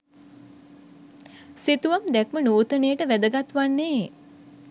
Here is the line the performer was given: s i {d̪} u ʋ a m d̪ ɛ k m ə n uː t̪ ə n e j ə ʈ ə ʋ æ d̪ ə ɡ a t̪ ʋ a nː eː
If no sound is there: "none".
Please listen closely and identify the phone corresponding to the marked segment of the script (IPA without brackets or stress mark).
t̪